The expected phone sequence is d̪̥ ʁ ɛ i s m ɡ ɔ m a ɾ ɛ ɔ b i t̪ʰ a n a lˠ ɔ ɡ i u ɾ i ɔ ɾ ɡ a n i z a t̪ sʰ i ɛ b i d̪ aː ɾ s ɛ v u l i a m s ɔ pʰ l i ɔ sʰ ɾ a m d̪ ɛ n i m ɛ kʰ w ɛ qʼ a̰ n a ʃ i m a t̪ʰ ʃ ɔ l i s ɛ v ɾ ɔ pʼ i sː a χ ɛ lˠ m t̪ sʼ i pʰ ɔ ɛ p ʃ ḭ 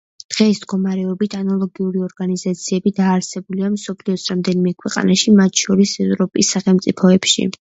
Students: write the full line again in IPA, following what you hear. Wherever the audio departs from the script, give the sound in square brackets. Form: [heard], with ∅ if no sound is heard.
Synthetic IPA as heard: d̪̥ ʁ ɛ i s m ɡ ɔ m a ɾ ɛ ɔ b i t̪ʰ a n a lˠ ɔ ɡ i u ɾ i ɔ ɾ ɡ a n i z a t̪ sʰ i ɛ b i d̪ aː ɾ s ɛ [b] u l i a m s ɔ pʰ l i ɔ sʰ ɾ a m d̪ ɛ n i m ɛ kʰ w ɛ qʼ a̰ n a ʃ i m a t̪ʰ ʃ ɔ [ɾ] i s ɛ v ɾ ɔ pʼ i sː a χ ɛ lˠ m t̪ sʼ i pʰ ɔ ɛ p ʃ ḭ